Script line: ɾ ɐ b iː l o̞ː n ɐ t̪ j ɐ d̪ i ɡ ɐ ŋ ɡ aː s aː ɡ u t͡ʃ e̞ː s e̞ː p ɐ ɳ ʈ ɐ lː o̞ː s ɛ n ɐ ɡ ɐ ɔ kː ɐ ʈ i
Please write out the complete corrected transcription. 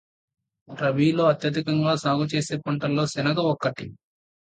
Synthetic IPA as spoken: ɾ ɐ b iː l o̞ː ɐ t̪ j ɐ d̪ i k ɐ ŋ ɡ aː s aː ɡ u t͡ʃ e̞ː s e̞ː p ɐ ɳ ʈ ɐ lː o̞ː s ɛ n ɐ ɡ ɐ ɔ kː ɐ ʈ i